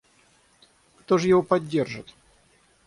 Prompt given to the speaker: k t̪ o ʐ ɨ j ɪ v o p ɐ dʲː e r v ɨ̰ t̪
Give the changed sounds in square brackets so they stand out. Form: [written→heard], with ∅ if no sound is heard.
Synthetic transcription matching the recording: k t̪ o ʐ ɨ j ɪ v o p ɐ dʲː e r [v→ʐ] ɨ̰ t̪